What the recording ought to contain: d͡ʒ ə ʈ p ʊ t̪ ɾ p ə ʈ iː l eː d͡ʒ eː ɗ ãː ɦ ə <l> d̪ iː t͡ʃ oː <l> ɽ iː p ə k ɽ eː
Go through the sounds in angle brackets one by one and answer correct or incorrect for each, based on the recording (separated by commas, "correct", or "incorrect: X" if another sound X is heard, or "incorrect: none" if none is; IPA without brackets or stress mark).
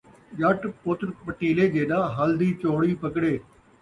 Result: correct, incorrect: none